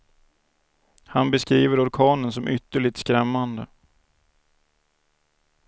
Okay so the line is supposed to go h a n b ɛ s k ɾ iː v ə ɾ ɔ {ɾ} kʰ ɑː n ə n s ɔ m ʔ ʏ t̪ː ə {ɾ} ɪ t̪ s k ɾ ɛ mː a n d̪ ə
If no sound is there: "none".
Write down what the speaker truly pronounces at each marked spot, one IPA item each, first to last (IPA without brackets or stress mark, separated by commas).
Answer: ɾ, ɭ